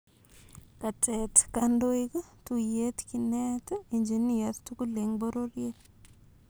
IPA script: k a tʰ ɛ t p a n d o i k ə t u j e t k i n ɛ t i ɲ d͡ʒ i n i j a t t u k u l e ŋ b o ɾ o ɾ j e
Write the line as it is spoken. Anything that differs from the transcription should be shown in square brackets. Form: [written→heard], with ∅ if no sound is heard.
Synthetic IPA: k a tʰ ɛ t [p→k] a n d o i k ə t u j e t k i n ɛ t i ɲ d͡ʒ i n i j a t t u k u l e ŋ b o ɾ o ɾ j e